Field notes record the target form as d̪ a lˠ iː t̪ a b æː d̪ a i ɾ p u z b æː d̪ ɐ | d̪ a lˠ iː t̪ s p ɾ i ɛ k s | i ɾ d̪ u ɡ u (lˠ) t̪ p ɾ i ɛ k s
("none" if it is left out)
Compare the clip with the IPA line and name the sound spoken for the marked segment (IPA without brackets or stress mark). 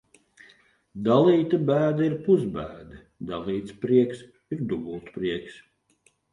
lˠ